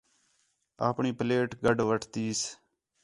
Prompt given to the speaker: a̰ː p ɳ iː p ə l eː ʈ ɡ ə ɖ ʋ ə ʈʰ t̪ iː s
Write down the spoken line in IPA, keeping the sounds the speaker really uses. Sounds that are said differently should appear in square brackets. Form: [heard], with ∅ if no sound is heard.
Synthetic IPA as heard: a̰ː p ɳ iː p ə l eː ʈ ɡ ə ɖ ʋ ə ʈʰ t̪ iː s